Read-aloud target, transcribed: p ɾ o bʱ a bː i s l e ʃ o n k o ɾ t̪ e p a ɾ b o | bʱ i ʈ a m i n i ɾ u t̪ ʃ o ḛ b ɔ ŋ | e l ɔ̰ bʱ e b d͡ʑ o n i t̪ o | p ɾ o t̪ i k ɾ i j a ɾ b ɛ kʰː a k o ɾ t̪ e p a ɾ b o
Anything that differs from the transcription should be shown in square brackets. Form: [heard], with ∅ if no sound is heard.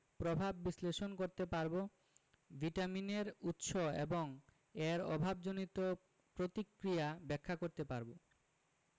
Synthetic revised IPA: p ɾ o bʱ a bː i s l e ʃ o n k o ɾ t̪ e p a ɾ b o | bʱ i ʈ a m i n [e] ɾ u t̪ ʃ o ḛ b [o] ŋ | e [ɾ] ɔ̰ bʱ [a] b d͡ʑ o n i t̪ o | p ɾ o t̪ i k ɾ i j a [∅] b ɛ kʰː a k o ɾ t̪ e p a ɾ b o

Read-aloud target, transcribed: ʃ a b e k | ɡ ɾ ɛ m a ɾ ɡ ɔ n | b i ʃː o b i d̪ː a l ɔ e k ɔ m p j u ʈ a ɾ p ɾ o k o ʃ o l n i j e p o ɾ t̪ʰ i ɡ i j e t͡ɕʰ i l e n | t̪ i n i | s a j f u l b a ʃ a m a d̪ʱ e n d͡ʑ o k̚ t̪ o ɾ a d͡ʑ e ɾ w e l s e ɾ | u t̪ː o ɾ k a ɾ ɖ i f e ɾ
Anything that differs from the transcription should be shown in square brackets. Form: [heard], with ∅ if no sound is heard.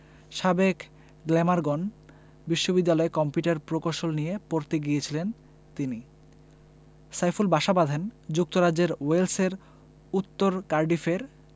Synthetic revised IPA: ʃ a b e k | ɡ [l] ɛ m a ɾ ɡ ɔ n | b i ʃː o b i d̪ː a l ɔ e k ɔ m p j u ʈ a ɾ p ɾ o k o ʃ o l n i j e p o ɾ [t̪] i ɡ i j e t͡ɕʰ i l e n | t̪ i n i | s a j f u l b a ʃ a [b] a d̪ʱ e n d͡ʑ [u] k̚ t̪ o ɾ a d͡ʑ e ɾ w e l s e ɾ | u t̪ː o ɾ k a ɾ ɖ i f e ɾ

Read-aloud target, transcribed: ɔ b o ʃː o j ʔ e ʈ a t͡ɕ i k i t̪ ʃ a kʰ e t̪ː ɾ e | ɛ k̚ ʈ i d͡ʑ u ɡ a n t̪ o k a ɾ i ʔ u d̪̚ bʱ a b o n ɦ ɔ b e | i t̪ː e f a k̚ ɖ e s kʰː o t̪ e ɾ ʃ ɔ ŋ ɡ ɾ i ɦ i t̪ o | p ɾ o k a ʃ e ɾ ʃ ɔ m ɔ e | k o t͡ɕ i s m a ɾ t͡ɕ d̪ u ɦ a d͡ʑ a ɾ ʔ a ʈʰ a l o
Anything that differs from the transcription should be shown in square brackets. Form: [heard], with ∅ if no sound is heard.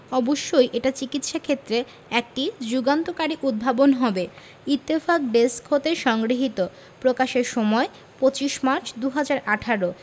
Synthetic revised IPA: ɔ b o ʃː o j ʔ e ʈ a t͡ɕ i k i t̪ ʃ a kʰ e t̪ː ɾ e | ɛ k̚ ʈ i d͡ʑ u ɡ a n t̪ o k a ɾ i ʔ u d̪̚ bʱ a b o n ɦ ɔ b e | i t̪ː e f a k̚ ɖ e s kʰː o t̪ e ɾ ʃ ɔ ŋ ɡ ɾ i ɦ i t̪ o | p ɾ o k a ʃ e ɾ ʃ ɔ m ɔ e | [p] o t͡ɕ i [ʃ] m a ɾ t͡ɕ d̪ u ɦ a d͡ʑ a ɾ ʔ a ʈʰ a [ɾ] o

